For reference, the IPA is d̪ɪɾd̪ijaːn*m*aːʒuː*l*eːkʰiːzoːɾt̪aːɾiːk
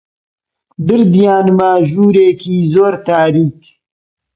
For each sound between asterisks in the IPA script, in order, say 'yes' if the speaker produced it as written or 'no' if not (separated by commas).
yes, no